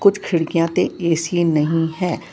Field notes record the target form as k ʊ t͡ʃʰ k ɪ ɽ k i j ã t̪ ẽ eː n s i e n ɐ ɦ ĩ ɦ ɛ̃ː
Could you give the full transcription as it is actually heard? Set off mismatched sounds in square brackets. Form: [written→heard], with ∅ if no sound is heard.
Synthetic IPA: k ʊ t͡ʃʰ [k→kʰ] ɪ ɽ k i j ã t̪ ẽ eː [n→∅] s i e n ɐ ɦ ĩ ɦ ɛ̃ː